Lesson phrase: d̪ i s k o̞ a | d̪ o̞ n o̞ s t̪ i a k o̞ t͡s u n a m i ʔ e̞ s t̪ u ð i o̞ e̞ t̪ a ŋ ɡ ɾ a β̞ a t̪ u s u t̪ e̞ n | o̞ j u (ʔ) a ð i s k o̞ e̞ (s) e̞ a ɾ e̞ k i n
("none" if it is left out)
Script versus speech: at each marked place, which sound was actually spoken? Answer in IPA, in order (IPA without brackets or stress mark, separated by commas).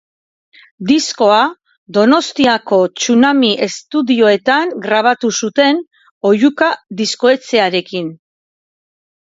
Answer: k, t͡s